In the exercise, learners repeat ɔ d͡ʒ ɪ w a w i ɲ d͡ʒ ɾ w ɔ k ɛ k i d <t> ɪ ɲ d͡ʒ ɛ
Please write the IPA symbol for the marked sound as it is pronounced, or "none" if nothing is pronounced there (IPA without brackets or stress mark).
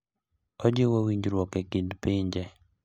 p